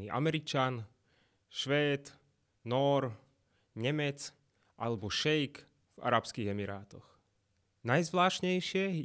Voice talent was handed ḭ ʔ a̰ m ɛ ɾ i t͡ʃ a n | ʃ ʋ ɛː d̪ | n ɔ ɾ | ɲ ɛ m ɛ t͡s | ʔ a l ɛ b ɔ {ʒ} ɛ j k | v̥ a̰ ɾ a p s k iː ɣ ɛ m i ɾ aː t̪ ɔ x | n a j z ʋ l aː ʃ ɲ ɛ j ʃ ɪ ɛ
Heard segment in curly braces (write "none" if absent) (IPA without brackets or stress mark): ʃ